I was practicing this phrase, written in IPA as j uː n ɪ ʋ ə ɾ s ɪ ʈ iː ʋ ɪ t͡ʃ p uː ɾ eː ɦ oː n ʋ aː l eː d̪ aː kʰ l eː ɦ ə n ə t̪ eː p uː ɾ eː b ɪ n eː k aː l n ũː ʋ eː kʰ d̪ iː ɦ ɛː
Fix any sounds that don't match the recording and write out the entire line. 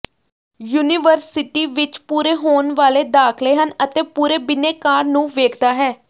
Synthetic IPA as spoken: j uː n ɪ ʋ ə ɾ s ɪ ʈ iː ʋ ɪ t͡ʃ p uː ɾ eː ɦ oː n ʋ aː l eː d̪ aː kʰ l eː ɦ ə n ə t̪ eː p uː ɾ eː b ɪ n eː k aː ɾ n ũː ʋ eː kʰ d̪ aː ɦ ɛː

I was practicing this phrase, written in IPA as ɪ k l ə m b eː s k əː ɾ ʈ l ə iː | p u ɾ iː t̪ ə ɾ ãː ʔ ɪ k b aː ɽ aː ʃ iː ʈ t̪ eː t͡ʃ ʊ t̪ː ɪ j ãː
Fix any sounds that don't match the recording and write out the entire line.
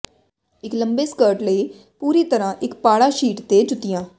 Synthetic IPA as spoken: ɪ k l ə m b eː s k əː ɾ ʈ l ə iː | p uː ɾ iː t̪ ə ɾ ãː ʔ ɪ k p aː ɽ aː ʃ iː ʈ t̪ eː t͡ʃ ʊ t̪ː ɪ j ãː

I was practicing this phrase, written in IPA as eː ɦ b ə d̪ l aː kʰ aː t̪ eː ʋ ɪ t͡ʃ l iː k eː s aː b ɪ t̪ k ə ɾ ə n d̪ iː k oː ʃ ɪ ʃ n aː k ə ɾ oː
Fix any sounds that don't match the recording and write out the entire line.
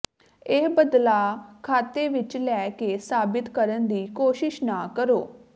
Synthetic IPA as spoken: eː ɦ b ə d̪ l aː kʰ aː t̪ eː ʋ ɪ t͡ʃ l ɛː k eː s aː b ɪ t̪ k ə ɾ ə n d̪ iː k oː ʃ ɪ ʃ n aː k ə ɾ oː

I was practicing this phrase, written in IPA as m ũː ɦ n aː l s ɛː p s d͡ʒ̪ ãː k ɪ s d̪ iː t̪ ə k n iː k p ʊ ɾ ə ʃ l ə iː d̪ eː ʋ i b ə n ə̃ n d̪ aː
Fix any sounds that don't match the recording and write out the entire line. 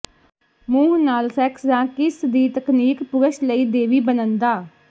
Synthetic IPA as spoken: m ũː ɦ n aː l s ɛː k s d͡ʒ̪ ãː k ɪ s d̪ iː t̪ ə k n iː k p ʊ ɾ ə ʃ l ə iː d̪ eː ʋ iː b ə n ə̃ n d̪ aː

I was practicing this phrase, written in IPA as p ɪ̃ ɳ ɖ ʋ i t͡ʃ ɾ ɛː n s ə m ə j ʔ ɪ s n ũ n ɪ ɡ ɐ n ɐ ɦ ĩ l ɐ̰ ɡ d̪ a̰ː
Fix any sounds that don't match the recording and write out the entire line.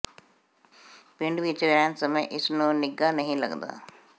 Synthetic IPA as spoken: p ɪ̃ ɳ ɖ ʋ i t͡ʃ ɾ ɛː n s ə m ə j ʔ ɪ s n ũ n ɪ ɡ a n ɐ ɦ ĩ l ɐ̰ ɡ d̪ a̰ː

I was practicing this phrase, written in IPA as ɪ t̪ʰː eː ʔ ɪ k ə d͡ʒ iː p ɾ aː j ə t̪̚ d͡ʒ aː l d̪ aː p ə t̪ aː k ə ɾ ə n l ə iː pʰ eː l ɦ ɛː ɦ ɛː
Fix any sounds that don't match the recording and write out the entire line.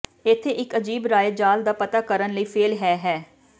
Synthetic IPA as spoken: ɪ t̪ʰː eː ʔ ɪ k ə d͡ʒ iː b ɾ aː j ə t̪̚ d͡ʒ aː l d̪ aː p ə t̪ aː k ə ɾ ə n l ə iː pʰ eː l ɦ ɛː ɦ ɛː

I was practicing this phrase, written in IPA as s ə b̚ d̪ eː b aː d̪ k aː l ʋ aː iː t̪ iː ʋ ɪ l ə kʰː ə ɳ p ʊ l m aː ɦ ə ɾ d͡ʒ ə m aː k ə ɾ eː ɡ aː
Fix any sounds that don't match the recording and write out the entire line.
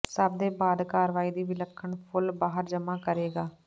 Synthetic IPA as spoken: s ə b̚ d̪ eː b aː d̪ k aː ɾ ʋ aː iː d̪ iː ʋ ɪ l ə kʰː ə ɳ pʰ ʊ l b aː ɦ ə ɾ d͡ʒ ə m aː k ə ɾ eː ɡ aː

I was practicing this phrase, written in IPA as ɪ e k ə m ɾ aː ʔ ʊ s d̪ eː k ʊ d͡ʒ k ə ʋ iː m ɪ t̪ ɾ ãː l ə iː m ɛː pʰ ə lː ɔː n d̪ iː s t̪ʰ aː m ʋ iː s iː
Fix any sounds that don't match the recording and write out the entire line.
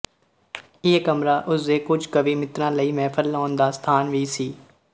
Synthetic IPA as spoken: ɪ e k ə m ɾ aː ʔ ʊ s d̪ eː k ʊ d͡ʒ k ə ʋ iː m ɪ t̪ ɾ ãː l ə iː m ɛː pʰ ə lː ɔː n d̪ aː s t̪ʰ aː n ʋ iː s iː

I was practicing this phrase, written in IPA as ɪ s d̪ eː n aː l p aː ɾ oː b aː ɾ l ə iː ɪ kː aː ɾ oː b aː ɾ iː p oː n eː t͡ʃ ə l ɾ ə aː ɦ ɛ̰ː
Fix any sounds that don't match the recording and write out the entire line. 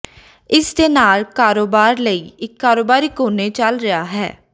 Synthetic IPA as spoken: ɪ s d̪ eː n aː l k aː ɾ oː b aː ɾ l ə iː ɪ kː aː ɾ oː b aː ɾ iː k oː n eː t͡ʃ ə l ɾ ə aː ɦ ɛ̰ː

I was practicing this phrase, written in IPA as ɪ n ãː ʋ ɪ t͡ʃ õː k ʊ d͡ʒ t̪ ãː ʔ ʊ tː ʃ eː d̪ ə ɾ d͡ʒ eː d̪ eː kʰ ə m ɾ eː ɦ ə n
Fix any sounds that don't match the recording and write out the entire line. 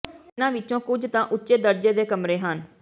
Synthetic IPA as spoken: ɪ n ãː ʋ ɪ t͡ʃ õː k ʊ d͡ʒ t̪ ãː ʔ ʊ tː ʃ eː d̪ ə ɾ d͡ʒ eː d̪ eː k ə m ɾ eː ɦ ə n

